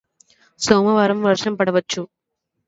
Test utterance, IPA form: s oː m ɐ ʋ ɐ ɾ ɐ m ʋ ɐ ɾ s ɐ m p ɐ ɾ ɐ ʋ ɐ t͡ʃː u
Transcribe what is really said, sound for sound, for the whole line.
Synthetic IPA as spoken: s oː m ɐ ʋ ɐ ɾ ɐ m ʋ ɐ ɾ ʂ ɐ m p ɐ ɽ ɐ ʋ ɐ t͡ʃː u